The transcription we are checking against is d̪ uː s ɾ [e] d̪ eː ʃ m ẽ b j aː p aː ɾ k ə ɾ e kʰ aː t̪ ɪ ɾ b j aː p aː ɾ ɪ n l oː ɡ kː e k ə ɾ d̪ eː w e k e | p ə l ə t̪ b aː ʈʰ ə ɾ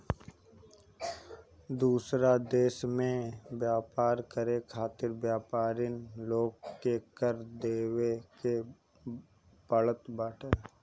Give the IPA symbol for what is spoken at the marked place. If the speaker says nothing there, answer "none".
a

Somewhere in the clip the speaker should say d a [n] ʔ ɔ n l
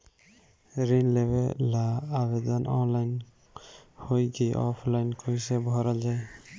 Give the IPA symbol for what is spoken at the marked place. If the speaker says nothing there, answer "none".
n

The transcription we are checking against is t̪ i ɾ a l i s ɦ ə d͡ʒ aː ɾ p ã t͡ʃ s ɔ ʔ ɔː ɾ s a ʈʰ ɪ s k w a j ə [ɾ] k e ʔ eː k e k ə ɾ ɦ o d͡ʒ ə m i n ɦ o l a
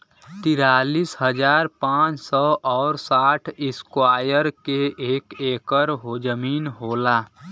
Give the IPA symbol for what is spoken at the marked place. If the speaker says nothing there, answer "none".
ɾ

